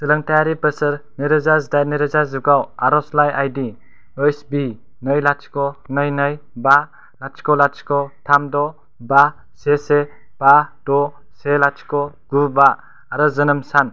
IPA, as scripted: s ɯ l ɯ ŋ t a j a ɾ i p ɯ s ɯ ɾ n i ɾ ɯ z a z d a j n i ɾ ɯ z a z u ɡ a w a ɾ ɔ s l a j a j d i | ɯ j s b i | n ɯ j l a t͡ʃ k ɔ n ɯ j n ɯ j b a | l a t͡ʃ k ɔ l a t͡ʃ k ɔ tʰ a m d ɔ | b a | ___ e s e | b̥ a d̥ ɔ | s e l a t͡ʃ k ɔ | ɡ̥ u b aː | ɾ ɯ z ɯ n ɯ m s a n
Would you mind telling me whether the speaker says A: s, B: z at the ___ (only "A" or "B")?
A